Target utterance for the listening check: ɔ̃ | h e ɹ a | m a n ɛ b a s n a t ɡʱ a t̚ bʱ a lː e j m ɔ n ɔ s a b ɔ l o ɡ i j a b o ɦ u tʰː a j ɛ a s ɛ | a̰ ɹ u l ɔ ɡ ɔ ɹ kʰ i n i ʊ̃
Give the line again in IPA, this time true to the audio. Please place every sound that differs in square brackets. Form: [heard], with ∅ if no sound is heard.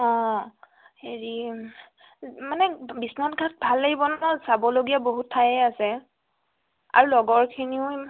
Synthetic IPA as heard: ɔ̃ | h e ɹ [i] | m a n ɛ b [i] s n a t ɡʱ a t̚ bʱ a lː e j [b] ɔ n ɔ s a b ɔ l o ɡ i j a b o ɦ u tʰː a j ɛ a s ɛ | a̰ ɹ u l ɔ ɡ ɔ ɹ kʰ i n i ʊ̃